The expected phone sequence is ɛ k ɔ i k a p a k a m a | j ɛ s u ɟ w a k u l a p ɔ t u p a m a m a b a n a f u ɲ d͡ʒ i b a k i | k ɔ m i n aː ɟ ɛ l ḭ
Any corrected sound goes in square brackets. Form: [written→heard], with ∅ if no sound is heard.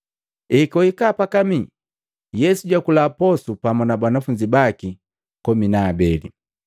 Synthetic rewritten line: ɛ k ɔ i k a p a k a m [a→i] | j ɛ s u ɟ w a k u l a p ɔ [t→s] u p a m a [m→n] a b a n a f u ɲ d͡ʒ i b a k i | k ɔ m i n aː [ɟ→b] ɛ l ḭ